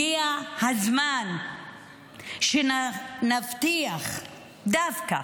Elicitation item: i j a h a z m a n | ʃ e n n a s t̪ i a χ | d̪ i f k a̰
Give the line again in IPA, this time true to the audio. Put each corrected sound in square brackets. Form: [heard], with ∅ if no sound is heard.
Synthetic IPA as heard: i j a h a z m a n | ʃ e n n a [f] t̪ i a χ | d̪ [a] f k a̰